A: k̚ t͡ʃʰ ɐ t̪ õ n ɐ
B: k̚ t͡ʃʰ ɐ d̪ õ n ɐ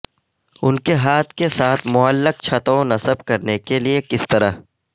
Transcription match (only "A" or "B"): A